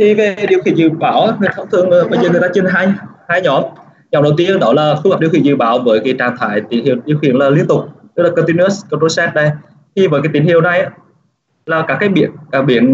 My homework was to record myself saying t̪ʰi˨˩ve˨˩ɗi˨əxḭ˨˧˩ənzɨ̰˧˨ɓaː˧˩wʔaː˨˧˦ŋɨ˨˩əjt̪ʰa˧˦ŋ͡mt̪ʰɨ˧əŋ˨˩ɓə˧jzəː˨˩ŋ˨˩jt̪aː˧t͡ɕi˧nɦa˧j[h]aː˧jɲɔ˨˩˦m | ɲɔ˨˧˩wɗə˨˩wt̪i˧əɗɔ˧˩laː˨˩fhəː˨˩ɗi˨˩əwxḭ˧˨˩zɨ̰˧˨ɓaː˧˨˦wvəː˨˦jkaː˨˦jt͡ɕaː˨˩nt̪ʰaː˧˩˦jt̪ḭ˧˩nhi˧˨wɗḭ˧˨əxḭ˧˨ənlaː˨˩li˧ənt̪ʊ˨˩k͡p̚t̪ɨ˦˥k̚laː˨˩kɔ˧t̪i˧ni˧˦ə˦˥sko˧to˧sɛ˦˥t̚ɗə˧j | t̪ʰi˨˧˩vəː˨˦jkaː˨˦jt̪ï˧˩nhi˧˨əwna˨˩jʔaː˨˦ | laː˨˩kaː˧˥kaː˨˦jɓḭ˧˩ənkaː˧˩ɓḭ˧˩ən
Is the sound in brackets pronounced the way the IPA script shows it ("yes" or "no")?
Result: yes